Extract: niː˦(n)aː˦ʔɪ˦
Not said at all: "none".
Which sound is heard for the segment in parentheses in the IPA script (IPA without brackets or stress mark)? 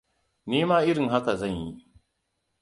m